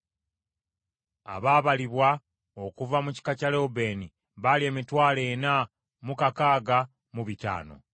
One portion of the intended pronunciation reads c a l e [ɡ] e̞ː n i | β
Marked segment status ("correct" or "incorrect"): incorrect